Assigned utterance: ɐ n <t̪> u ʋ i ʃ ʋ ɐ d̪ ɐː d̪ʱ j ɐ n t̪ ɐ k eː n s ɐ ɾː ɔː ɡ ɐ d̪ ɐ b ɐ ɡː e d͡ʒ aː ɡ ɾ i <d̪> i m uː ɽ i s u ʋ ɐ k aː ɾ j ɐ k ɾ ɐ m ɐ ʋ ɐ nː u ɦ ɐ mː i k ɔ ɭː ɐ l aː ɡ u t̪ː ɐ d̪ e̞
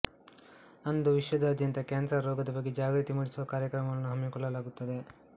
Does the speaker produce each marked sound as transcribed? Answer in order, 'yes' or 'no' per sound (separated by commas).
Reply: no, no